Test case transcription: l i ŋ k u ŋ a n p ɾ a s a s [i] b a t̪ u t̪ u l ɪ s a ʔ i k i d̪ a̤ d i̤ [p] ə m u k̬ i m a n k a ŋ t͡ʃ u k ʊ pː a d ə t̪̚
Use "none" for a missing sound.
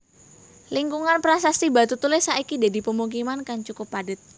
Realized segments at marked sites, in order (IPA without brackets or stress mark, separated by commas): i, p